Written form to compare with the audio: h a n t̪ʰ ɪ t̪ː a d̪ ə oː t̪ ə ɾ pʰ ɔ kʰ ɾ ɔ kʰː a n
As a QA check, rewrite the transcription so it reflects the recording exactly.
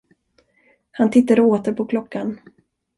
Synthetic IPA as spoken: h a n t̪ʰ ɪ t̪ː a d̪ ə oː t̪ ə ɾ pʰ ɔ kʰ l ɔ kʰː a n

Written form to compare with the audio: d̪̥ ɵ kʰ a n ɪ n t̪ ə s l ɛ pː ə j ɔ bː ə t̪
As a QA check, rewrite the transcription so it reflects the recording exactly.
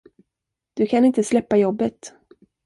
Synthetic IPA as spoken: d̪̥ ɵ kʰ a n ɪ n t̪ ə s l ɛ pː a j ɔ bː ə t̪

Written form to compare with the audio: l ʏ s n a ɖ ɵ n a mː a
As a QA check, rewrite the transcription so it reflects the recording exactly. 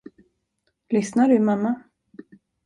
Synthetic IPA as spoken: l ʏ s n a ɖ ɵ m a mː a

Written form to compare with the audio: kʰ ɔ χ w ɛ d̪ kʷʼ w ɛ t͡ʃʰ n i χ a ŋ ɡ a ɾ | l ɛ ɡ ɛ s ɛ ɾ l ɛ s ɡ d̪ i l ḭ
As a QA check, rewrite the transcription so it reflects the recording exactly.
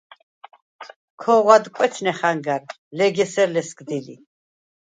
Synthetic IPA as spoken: kʰ ɔ ʁ w a d̪ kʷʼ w ɛ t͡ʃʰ n ɛ χ a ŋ ɡ a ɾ | l ɛ ɡ ɛ s ɛ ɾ l ɛ s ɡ d̪ i l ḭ

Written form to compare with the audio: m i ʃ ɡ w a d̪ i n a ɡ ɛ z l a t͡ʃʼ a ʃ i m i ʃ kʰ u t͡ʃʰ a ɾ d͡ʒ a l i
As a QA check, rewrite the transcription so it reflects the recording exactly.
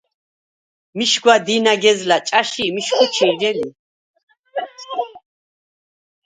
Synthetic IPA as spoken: m i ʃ ɡ w a d̪ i n a ɡ ɛ z l a t͡ʃʼ a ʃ i m i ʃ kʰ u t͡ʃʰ i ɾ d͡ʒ ɛ l i

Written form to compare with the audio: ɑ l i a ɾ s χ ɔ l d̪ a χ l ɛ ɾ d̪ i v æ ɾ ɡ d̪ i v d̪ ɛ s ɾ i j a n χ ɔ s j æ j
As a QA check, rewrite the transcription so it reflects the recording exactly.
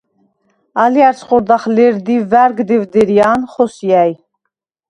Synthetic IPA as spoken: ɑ l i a ɾ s χ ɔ ɾ d̪ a χ l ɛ ɾ d̪ i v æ ɾ ɡ d̪ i v d̪ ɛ ɾ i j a n χ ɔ s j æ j

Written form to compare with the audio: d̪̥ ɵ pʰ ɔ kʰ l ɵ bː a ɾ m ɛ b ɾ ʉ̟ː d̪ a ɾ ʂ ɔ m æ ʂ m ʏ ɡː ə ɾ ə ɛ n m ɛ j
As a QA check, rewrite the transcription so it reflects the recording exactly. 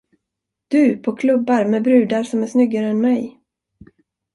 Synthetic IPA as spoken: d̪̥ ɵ pʰ ɔ kʰ l ɵ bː a ɾ m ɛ b ɾ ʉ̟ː d̪ a ɾ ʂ ɔ m æ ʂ n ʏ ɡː a ɾ ə ɛ n m ɛ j

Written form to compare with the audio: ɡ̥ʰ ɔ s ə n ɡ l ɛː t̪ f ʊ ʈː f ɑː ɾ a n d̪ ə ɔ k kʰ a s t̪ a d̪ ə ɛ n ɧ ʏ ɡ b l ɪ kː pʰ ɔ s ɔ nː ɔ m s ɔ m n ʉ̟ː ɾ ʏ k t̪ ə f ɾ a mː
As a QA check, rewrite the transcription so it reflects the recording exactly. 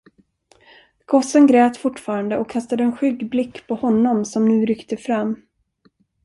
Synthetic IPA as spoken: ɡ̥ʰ ɔ s ə n ɡ ɾ ɛː t̪ f ʊ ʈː f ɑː ɾ a n d̪ ə ɔ k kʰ a s t̪ a d̪ ə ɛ n ɧ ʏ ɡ b l ɪ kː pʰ ɔ h ɔ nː ɔ m s ɔ m n ʉ̟ː ɾ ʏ k t̪ ə f ɾ a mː

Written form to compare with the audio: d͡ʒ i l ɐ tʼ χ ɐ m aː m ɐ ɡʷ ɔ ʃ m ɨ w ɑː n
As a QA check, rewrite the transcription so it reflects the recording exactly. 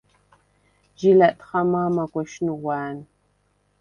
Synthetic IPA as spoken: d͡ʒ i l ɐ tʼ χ ɐ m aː m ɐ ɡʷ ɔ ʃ n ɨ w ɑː n

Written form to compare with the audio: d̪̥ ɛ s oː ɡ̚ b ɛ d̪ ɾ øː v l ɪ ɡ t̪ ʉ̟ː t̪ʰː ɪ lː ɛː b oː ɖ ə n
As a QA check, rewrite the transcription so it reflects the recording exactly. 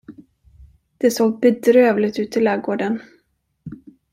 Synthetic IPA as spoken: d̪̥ ɛ s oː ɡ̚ b ɛ d̪ ɾ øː v l ɪ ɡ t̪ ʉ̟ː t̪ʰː ɪ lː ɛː ɡ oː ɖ ə n

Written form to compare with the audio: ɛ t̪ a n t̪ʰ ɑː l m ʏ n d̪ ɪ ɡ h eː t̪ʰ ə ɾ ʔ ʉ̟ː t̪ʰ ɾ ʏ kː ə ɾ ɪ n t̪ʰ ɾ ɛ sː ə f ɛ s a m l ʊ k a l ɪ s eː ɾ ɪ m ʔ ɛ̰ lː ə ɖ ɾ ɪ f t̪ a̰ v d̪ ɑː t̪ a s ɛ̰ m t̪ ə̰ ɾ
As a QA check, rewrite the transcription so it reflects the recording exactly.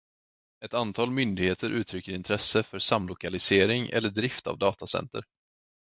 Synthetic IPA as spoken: ɛ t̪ a n t̪ʰ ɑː l m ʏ n d̪ ɪ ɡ h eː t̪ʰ ə ɾ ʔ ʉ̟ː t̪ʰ ɾ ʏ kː ə ɾ ɪ n t̪ʰ ɾ ɛ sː ə f œ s a m l ʊ k a l ɪ s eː ɾ ɪ ŋ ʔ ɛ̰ lː ə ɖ ɾ ɪ f t̪ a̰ v d̪ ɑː t̪ a s ɛ̰ n t̪ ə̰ ɾ

